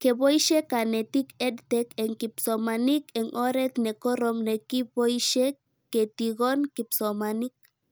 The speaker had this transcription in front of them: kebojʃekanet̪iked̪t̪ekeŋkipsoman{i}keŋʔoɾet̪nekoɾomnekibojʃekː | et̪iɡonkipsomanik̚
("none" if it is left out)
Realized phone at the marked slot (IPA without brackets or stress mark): i